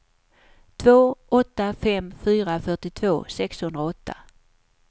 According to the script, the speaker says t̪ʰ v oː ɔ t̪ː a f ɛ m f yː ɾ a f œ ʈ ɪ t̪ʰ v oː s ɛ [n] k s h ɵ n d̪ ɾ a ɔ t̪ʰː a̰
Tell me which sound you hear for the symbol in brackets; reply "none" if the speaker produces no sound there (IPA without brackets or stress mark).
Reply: none